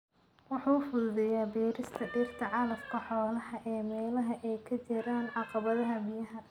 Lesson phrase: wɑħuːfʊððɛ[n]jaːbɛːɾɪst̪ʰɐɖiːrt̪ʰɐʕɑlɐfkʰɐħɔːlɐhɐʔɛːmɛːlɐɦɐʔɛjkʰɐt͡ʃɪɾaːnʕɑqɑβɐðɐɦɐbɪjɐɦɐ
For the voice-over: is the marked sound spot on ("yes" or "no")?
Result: no